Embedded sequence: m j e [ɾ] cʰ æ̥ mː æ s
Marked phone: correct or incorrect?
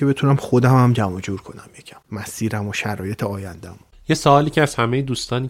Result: incorrect